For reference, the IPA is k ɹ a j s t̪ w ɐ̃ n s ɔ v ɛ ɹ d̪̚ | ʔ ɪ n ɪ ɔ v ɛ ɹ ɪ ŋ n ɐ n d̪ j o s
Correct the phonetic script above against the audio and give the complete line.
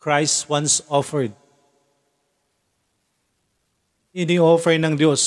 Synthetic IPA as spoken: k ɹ a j s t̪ w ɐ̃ n s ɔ f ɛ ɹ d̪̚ | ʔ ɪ n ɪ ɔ f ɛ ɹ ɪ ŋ n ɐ ŋ d̪ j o s